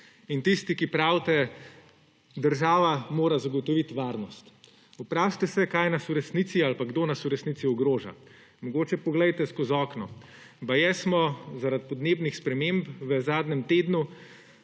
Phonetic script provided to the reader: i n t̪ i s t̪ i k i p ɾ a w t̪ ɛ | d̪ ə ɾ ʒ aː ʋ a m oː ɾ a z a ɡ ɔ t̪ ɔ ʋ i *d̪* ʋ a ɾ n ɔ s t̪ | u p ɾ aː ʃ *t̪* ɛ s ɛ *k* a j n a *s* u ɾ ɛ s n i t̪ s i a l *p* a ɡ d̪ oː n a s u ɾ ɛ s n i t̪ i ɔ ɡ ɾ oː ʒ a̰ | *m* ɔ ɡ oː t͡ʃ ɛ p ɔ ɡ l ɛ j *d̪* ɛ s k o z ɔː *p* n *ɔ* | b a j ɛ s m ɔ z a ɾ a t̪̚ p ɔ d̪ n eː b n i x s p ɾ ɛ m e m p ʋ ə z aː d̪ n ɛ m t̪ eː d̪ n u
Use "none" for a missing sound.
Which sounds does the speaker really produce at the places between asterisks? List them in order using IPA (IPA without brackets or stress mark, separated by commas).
t̪, t̪, k, s, p, m, t̪, k, ɔ